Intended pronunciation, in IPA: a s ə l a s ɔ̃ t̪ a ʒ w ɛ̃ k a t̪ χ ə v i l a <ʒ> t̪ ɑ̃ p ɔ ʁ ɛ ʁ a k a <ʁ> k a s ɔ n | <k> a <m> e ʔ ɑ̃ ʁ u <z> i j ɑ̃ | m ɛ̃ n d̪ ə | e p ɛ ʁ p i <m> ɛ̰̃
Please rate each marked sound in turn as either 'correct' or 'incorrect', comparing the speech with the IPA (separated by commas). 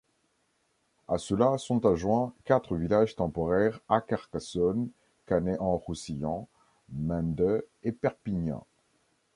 correct, correct, correct, incorrect, incorrect, incorrect